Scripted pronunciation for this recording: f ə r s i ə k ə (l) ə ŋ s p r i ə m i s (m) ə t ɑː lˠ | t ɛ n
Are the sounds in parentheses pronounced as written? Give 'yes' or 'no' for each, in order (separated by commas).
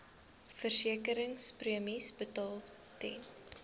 no, no